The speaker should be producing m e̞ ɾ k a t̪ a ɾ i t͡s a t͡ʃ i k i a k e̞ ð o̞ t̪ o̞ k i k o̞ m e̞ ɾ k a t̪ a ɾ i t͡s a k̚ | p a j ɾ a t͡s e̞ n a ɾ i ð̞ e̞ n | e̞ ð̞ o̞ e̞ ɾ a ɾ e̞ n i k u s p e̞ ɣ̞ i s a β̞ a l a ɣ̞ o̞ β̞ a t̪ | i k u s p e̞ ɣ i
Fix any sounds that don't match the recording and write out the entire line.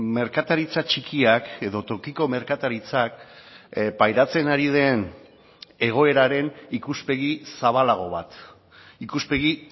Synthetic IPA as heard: m e̞ ɾ k a t̪ a ɾ i t͡s a t͡ʃ i k i a k e̞ ð o̞ t̪ o̞ k i k o̞ m e̞ ɾ k a t̪ a ɾ i t͡s a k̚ | p a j ɾ a t͡s e̞ n a ɾ i ð̞ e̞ n | e̞ ɣ̞ o̞ e̞ ɾ a ɾ e̞ n i k u s p e̞ ɣ̞ i s a β̞ a l a ɣ̞ o̞ β̞ a t̪ | i k u s p e̞ ɣ i